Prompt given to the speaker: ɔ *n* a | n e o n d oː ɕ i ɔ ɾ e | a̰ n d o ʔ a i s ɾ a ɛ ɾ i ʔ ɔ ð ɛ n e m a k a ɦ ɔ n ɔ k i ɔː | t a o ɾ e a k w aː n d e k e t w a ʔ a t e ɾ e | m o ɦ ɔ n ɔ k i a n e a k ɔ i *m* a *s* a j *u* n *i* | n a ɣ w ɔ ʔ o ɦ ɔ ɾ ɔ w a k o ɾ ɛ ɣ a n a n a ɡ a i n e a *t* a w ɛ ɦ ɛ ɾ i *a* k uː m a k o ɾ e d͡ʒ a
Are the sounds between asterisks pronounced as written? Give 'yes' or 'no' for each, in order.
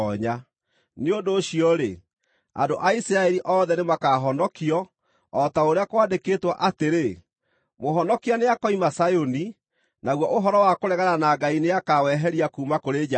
no, yes, yes, no, yes, no, yes

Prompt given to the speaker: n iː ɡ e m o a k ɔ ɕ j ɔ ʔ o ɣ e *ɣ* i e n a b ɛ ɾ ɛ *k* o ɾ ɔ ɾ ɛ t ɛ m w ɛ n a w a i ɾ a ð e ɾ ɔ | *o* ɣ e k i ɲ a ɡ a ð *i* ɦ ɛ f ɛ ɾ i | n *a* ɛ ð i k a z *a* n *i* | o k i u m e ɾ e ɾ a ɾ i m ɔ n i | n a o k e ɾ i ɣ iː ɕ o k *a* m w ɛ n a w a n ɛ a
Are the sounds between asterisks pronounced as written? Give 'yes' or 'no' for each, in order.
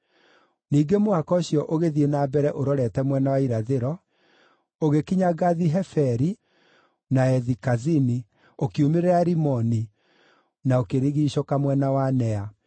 no, no, yes, yes, yes, no, yes, yes

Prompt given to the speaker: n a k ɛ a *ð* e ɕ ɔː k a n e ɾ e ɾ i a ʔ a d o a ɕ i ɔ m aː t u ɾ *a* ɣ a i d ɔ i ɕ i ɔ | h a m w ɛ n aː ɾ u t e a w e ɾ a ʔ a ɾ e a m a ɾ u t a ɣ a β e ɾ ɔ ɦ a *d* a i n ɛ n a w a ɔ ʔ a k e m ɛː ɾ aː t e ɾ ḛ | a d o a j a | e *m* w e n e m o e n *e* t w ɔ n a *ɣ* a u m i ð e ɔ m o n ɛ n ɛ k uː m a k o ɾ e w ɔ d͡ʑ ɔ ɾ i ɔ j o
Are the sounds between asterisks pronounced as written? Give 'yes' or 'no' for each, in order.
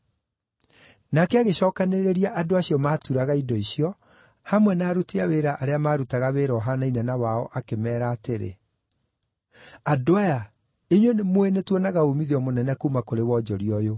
no, yes, no, no, yes, yes

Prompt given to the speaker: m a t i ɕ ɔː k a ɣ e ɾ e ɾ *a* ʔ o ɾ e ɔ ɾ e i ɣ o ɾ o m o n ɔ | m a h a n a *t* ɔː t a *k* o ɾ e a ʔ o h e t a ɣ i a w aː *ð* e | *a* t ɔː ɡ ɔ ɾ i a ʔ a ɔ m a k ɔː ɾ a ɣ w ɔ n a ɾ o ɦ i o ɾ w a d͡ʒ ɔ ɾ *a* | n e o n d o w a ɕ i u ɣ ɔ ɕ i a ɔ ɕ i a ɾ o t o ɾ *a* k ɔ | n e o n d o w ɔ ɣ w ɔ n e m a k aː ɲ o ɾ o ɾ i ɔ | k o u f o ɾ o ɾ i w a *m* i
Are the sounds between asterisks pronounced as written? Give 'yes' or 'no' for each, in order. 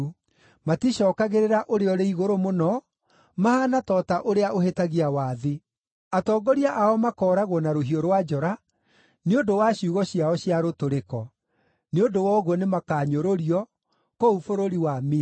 yes, yes, no, yes, yes, yes, no, yes

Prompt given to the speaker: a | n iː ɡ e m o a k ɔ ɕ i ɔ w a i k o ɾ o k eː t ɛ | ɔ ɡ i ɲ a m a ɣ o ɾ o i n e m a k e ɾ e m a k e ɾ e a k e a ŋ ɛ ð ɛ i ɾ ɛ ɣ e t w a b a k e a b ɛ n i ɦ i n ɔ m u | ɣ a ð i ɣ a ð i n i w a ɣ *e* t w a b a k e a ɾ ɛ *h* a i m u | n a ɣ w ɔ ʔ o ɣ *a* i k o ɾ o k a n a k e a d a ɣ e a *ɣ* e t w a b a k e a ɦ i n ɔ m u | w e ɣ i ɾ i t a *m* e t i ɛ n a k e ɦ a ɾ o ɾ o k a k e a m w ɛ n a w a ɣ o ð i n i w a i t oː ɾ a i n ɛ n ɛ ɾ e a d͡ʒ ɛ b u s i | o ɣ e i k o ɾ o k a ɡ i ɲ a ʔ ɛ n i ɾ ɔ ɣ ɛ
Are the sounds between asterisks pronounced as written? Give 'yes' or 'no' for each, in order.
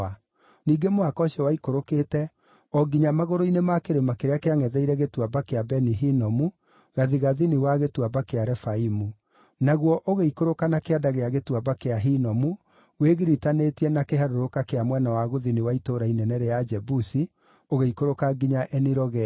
yes, no, no, yes, no

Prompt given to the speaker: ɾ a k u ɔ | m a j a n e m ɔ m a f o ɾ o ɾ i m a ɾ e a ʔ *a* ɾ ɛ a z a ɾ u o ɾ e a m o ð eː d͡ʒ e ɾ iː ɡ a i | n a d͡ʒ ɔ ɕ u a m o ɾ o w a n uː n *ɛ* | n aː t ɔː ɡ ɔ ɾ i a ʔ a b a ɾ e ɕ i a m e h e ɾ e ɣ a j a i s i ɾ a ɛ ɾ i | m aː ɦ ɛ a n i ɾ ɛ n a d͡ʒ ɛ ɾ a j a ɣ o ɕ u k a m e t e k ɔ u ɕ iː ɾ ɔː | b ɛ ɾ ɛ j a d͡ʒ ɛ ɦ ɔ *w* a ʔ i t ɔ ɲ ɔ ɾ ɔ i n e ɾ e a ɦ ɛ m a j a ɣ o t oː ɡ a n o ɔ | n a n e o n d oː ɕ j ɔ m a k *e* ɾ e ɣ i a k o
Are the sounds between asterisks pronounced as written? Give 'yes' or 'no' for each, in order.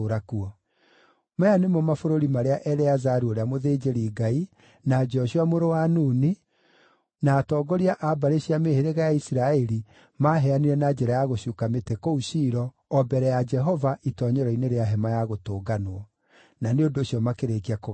no, no, no, yes

